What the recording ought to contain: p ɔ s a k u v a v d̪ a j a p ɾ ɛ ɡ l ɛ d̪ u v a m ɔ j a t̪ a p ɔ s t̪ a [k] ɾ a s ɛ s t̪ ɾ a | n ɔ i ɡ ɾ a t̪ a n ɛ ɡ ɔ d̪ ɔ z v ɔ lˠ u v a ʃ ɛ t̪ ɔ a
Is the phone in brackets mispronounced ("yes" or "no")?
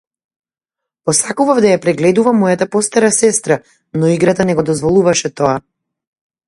yes